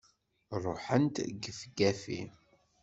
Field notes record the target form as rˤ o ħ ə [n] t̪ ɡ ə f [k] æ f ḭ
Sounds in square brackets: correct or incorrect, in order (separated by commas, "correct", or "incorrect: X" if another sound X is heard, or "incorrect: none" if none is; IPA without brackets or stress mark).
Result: correct, incorrect: ɡ